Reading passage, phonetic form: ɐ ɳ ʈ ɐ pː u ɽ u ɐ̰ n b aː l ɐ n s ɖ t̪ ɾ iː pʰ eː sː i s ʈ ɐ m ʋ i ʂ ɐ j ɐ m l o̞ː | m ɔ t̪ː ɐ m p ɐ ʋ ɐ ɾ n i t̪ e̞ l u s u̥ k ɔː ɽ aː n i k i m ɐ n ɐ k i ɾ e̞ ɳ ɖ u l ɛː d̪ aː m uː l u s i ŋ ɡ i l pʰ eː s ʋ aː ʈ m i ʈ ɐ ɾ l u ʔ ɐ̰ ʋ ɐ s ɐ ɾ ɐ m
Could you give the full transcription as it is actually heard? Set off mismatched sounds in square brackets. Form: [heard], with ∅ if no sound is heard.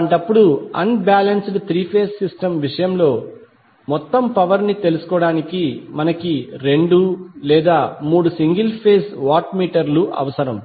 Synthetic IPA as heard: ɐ ɳ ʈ ɐ pː u ɽ u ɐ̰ n b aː l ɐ n s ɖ t̪ ɾ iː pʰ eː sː i s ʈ ɐ m ʋ i ʂ ɐ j ɐ m l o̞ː | m ɔ t̪ː ɐ m p ɐ ʋ ɐ ɾ n i t̪ e̞ l u s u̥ k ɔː ɽ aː n i k i m ɐ n ɐ k i ɾ e̞ ɳ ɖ u l ɛː d̪ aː m uː [ɽ] u s i ŋ ɡ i l pʰ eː s ʋ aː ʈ m [iː] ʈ ɐ ɾ l u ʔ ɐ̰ ʋ ɐ s ɐ ɾ ɐ m